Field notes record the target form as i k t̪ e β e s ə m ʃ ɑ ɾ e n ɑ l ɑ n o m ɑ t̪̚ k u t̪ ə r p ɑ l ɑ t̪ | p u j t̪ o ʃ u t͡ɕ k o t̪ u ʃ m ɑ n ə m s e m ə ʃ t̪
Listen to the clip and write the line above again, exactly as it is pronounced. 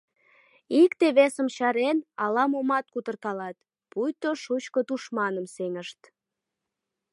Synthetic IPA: i k t̪ e β e s ə m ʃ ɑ ɾ e n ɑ l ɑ m o m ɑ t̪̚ k u t̪ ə r k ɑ l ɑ t̪ | p u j t̪ o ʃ u t͡ɕ k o t̪ u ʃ m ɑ n ə m s e ŋ ə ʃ t̪